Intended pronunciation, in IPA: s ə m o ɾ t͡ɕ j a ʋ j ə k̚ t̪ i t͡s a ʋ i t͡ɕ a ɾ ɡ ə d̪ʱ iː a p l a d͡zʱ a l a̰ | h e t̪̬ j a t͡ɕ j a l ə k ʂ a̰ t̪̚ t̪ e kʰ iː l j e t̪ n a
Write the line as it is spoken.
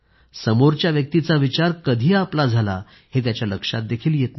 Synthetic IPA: s ə m o ɾ t͡ɕ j a ʋ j ə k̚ t̪ i t͡s a ʋ i t͡ɕ a ɾ k ə d̪ʱ iː a p l a d͡zʱ a l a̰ | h e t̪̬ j a t͡ɕ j a l ə k ʂ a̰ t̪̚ d̪ e kʰ iː l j e t̪ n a